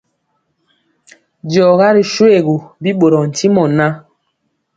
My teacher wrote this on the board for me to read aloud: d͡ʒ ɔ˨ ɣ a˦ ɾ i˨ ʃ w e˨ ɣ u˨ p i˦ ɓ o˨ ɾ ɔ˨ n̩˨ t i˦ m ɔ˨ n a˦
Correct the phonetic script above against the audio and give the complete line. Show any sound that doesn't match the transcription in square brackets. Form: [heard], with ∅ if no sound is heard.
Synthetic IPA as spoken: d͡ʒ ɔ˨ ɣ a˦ ɾ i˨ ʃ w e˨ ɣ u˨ [b] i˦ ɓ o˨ ɾ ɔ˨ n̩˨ t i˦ m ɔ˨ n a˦